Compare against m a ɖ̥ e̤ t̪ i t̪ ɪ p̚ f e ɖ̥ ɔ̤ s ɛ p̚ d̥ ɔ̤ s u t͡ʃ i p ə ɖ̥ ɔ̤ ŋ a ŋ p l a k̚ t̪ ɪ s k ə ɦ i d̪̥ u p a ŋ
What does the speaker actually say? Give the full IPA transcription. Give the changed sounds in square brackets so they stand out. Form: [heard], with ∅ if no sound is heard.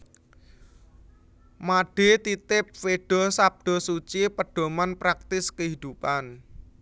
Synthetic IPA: m a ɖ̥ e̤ t̪ i t̪ ɪ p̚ f e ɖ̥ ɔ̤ s [a] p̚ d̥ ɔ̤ s u t͡ʃ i p ə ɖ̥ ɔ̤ [m] a [n] p [ɾ] a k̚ t̪ ɪ s k ə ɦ i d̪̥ u p a [n]